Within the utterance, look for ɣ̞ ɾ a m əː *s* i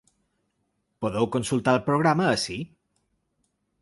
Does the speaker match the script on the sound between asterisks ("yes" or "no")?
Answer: yes